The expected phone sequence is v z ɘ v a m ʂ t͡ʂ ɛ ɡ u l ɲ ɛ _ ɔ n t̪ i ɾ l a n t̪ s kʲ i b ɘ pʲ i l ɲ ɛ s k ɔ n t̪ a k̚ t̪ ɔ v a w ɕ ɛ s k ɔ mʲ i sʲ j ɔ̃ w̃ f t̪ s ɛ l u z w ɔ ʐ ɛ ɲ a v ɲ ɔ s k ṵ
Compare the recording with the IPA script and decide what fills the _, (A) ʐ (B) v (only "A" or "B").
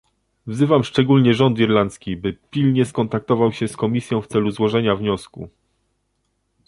A